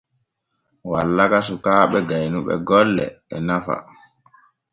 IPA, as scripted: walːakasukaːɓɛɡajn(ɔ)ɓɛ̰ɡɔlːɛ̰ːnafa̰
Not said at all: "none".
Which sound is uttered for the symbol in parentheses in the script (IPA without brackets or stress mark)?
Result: u